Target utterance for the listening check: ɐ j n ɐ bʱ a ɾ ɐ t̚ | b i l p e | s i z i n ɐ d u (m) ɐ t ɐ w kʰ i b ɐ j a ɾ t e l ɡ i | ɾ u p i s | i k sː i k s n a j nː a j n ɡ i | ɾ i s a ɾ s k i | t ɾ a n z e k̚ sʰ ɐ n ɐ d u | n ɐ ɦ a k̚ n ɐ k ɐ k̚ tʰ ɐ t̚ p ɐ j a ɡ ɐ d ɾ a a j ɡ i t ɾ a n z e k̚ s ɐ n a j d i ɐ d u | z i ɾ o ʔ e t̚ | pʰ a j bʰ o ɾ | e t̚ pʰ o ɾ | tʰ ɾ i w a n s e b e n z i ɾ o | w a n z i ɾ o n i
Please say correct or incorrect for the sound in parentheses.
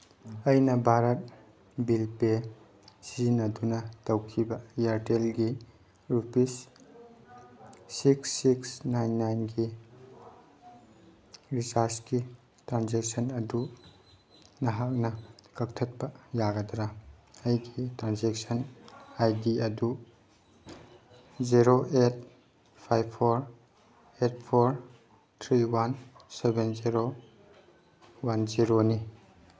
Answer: incorrect